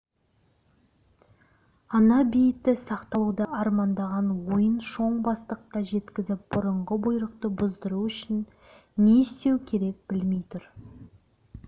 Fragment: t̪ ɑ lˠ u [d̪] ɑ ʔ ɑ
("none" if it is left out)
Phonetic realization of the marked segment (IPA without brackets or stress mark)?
d̪